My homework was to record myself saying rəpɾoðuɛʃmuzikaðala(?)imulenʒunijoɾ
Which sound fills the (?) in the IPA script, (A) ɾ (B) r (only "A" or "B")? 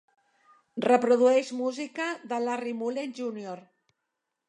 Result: B